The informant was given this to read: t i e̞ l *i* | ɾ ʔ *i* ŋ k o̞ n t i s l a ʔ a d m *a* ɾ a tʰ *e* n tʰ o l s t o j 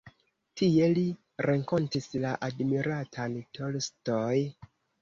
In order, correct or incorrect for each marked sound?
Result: correct, incorrect, incorrect, incorrect

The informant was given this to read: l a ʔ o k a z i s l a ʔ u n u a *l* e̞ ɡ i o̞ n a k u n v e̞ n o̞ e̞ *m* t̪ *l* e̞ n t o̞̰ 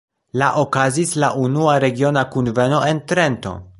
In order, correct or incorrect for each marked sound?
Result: incorrect, incorrect, incorrect

